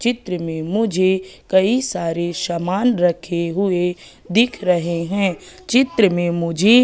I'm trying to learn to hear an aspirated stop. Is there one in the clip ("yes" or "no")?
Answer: yes